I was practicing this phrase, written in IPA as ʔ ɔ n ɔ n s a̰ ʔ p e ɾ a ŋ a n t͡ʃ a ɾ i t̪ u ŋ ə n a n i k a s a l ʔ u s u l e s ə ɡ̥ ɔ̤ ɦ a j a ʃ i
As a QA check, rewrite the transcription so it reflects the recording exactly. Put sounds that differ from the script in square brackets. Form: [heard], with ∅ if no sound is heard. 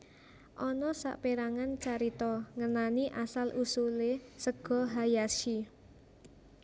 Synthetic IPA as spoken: ʔ ɔ n ɔ [∅] s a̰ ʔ p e ɾ a ŋ a n t͡ʃ a ɾ i t̪ [ɔ] ŋ ə n a n i [ʔ] a s a l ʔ u s u l e s ə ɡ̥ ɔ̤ ɦ a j a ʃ i